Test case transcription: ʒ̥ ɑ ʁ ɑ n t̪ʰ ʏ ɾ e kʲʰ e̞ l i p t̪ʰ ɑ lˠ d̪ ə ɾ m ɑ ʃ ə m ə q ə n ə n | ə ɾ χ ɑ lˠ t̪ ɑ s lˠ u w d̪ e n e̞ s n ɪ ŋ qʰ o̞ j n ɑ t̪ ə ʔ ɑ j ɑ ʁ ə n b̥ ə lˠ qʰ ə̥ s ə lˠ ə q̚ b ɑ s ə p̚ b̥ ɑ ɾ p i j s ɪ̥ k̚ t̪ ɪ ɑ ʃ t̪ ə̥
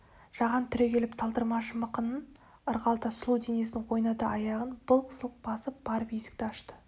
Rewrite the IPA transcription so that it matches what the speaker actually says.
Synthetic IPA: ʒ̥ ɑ ʁ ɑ n t̪ʰ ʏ ɾ e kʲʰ e̞ l ɪ p t̪ʰ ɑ lˠ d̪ ə ɾ m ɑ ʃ ə m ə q ə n ə n | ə ɾ ʁ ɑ lˠ t̪ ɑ s lˠ u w d̪ e n e̞ s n ɪ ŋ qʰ o̞ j n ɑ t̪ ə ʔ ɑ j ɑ ʁ ə n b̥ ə lˠ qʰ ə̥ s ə lˠ ə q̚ b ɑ s ə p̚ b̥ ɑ ɾ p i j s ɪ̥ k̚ t̪ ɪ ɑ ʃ t̪ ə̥